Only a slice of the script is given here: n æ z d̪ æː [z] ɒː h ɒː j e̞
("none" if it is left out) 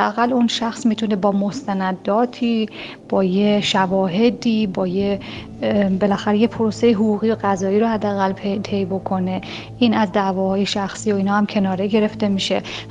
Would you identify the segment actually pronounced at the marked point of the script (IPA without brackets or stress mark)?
v